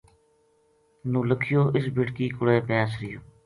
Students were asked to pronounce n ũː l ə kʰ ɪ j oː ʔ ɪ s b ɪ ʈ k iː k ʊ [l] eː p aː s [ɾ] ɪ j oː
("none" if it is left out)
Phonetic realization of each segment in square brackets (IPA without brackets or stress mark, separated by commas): ɽ, ɾ